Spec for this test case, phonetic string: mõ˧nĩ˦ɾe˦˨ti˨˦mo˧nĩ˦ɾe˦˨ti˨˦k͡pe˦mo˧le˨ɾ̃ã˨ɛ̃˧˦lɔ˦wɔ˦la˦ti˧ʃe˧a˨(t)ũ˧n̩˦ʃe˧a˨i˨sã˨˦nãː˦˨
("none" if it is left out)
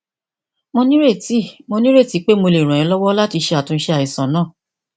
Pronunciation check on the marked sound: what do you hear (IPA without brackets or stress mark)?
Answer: t